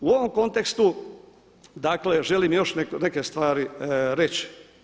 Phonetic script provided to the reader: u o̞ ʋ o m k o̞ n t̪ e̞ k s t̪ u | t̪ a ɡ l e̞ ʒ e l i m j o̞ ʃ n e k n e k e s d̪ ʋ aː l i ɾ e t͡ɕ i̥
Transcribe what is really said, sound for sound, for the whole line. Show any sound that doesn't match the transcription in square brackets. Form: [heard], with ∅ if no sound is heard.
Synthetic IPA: u o̞ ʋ o m k o̞ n t̪ e̞ k s t̪ u | [d̪] a [k] l e̞ ʒ e l i m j o̞ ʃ n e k n e k e s [t̪] ʋ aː [ɾ] i ɾ e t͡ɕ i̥